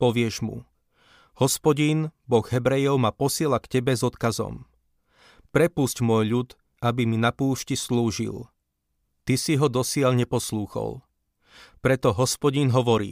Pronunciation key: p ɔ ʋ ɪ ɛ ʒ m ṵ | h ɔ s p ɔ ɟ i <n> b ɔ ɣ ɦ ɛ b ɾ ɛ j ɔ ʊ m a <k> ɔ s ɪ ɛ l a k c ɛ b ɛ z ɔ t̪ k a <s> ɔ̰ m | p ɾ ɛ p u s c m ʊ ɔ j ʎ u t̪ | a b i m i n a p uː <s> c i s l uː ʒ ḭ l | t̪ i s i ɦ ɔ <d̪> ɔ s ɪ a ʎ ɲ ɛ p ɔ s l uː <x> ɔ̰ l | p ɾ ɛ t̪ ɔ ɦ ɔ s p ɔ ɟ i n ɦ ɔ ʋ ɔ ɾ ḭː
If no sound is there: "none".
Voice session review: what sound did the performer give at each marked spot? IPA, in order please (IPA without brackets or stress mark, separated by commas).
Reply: n, p, z, ʃ, d̪, x